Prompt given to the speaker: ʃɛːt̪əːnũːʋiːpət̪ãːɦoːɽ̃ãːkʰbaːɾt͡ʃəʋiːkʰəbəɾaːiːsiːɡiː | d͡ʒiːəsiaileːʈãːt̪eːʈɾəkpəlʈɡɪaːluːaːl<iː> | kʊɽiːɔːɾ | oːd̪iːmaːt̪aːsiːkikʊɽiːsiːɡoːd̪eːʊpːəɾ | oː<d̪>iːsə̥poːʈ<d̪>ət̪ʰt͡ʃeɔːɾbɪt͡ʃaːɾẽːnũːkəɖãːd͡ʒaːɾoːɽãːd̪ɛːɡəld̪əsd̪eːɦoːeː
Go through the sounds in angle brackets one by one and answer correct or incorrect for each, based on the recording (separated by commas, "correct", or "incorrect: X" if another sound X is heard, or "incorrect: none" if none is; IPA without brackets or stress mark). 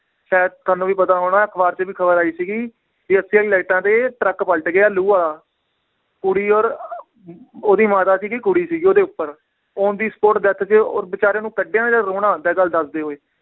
incorrect: aː, correct, correct